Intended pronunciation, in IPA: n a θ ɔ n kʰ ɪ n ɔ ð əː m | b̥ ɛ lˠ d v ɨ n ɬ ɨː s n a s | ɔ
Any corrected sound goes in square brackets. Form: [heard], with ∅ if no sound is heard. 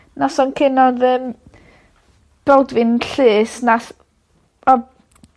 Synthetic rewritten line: n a [s] ɔ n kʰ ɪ n ɔ ð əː m | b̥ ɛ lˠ d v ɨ n ɬ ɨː s n a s | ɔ